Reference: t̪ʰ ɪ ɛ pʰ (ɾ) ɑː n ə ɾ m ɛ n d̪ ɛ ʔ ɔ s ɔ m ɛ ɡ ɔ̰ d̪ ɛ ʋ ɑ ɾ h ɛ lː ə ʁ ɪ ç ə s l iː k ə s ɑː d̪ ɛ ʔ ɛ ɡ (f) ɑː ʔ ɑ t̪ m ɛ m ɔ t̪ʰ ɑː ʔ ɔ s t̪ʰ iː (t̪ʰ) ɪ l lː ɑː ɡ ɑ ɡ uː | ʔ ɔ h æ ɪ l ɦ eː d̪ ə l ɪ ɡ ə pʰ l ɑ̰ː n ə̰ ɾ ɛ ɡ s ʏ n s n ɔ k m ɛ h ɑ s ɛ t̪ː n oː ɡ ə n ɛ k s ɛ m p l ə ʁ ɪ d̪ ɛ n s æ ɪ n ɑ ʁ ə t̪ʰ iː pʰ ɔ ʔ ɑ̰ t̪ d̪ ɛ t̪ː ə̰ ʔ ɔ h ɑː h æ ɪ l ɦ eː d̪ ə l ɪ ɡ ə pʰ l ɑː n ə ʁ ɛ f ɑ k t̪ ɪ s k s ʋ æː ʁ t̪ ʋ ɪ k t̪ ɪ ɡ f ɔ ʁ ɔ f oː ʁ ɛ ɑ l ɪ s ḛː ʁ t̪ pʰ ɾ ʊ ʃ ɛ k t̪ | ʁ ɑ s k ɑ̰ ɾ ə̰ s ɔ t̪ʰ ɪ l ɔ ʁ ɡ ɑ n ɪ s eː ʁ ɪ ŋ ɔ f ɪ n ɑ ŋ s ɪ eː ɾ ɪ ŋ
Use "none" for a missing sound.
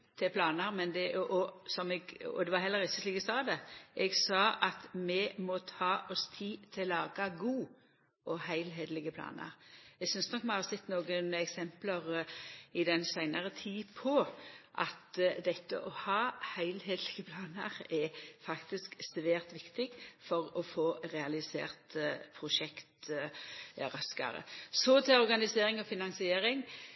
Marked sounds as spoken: l, s, t̪ʰ

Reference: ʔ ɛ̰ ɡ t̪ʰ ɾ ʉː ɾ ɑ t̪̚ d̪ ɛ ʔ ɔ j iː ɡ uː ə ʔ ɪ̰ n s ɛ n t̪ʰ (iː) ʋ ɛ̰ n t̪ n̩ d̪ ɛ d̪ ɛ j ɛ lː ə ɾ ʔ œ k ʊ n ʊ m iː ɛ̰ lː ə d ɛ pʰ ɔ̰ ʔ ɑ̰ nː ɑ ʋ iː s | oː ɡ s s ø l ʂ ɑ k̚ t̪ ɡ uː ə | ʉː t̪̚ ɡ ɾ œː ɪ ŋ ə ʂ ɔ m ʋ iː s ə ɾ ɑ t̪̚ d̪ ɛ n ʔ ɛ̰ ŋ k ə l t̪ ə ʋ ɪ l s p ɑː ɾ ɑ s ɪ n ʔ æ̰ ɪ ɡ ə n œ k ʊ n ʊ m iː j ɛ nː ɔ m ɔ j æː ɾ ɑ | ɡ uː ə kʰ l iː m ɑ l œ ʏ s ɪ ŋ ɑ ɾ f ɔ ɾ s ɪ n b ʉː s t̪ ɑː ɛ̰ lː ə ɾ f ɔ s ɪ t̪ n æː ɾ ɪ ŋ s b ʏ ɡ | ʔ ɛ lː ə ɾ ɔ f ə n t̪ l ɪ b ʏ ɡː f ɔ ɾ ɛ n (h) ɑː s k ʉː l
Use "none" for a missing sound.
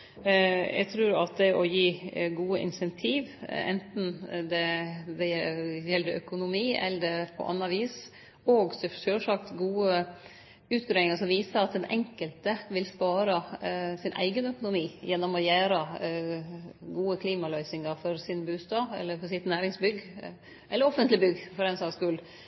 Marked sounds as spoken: iː, s

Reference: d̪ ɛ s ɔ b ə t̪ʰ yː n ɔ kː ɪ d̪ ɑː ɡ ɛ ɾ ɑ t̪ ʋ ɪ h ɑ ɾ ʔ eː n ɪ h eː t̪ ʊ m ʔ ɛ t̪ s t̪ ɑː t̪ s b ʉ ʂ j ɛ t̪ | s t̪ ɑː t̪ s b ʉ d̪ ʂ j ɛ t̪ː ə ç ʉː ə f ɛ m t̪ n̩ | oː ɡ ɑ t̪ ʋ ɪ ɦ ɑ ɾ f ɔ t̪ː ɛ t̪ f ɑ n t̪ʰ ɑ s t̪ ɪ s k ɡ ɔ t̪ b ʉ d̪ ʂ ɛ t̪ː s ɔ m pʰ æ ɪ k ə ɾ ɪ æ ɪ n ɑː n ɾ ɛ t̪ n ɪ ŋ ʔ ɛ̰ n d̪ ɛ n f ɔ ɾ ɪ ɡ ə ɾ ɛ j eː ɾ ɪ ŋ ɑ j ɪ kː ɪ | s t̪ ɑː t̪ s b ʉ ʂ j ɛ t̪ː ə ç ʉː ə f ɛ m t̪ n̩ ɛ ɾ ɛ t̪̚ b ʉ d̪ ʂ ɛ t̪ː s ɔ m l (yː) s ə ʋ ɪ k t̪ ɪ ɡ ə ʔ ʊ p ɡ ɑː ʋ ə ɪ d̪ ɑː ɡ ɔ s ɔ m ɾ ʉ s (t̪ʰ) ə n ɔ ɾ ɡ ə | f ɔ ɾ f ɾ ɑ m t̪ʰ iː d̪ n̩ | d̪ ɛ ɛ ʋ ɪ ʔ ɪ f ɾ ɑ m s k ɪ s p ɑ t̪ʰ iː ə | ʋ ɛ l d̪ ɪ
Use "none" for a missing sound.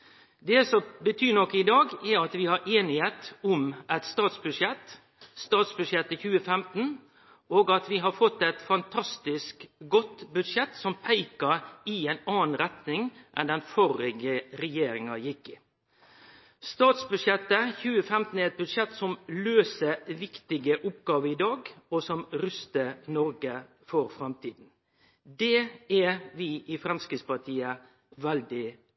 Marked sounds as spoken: øː, t̪

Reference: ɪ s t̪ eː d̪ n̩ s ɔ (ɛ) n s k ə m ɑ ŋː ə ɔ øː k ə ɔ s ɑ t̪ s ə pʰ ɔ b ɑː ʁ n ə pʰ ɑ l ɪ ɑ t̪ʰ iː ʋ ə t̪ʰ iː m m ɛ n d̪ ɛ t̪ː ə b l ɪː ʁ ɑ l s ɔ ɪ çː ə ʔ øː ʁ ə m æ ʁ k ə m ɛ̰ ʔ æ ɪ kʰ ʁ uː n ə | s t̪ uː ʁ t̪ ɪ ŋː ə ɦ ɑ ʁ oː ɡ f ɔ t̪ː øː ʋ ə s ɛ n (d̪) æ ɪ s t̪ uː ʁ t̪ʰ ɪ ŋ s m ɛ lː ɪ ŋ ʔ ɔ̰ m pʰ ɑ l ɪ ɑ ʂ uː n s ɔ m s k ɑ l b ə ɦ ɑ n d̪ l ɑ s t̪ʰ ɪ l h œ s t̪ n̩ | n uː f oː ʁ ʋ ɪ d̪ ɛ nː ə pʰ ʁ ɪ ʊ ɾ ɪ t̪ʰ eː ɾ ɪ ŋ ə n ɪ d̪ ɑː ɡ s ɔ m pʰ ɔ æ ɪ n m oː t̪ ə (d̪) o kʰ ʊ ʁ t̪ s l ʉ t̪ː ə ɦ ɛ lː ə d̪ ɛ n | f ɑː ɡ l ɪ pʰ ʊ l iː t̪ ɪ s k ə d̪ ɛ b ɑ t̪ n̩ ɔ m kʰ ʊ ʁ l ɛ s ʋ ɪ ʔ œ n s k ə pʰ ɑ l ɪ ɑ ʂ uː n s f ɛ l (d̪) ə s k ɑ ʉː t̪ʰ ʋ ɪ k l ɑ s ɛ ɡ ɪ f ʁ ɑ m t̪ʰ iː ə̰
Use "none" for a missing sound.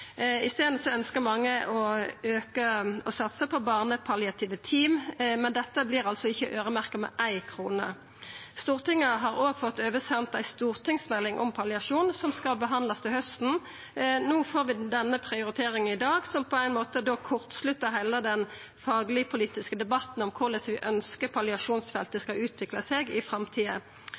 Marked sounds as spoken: œ, t̪, d̪, t̪

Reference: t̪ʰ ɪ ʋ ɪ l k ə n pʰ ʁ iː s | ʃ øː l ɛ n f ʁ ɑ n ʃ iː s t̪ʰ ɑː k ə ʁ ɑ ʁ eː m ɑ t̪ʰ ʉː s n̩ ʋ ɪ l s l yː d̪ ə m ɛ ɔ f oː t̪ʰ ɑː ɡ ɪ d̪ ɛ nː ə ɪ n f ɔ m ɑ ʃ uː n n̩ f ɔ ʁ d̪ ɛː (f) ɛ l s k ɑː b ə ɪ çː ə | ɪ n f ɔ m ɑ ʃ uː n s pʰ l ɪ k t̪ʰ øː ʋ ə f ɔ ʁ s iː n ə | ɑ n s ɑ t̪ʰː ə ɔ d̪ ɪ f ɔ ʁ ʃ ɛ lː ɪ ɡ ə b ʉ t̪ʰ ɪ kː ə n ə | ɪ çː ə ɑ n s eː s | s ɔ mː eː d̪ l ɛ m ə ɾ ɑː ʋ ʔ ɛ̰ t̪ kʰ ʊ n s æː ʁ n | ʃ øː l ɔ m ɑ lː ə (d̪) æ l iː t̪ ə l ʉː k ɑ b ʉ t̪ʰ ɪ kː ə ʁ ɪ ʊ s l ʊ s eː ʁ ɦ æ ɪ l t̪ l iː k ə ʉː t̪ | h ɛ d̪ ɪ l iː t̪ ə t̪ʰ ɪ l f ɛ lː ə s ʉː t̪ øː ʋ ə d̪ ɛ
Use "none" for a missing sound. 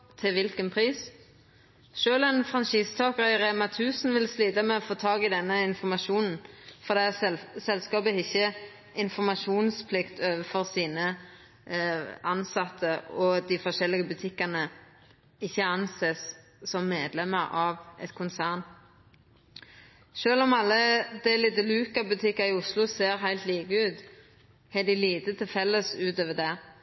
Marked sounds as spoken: s, d̪

